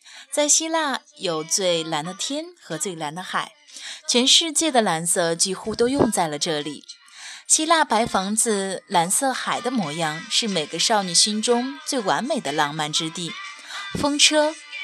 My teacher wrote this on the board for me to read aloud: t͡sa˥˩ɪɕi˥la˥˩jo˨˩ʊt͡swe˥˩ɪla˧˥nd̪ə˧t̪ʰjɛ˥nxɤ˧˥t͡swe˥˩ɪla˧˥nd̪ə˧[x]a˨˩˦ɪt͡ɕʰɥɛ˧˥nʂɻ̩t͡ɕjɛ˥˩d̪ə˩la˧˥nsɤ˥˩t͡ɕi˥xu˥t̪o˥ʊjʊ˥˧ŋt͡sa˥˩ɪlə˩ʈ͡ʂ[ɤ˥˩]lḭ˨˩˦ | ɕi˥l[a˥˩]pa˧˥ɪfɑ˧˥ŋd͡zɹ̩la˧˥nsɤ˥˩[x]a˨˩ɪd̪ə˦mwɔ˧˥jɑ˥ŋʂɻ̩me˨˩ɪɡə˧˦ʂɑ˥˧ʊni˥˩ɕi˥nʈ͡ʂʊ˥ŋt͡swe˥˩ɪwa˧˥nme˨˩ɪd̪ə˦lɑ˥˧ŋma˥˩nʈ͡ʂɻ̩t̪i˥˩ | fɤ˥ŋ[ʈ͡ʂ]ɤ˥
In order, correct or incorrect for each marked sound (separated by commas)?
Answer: correct, correct, correct, correct, incorrect